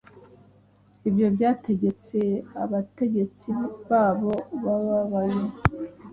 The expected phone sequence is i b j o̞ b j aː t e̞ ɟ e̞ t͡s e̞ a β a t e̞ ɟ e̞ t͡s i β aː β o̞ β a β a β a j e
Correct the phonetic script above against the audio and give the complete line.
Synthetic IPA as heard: i b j o̞ b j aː t e̞ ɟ e̞ t͡s e̞ a β a t e̞ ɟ e̞ t͡s i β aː β o̞ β a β a β a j e